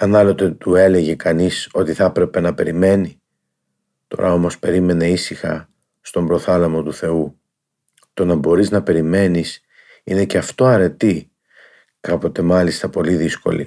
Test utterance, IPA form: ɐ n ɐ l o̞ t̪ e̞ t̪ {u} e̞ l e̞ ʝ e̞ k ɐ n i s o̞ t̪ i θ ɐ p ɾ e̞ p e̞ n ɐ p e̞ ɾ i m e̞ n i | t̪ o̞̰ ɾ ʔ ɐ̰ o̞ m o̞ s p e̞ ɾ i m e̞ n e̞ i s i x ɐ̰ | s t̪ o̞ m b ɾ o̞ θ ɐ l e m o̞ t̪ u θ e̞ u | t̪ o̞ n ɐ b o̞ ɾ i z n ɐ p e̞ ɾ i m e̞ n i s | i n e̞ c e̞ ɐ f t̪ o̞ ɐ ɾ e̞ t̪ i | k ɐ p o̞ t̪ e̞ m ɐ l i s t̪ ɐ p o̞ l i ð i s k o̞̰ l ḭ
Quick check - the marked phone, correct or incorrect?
correct